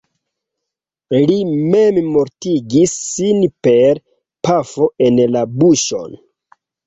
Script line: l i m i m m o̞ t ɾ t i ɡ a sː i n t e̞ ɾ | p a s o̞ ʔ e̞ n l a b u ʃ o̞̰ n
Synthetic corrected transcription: l i m e m m o̞ ɾ t i ɡ i sː i n p e̞ ɾ | p a f o̞ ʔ e̞ n l a b u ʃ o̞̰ n